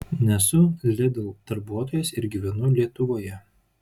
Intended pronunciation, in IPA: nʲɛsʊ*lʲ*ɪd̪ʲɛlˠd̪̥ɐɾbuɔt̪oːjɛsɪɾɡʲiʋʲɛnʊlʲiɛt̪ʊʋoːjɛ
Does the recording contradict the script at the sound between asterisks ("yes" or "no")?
no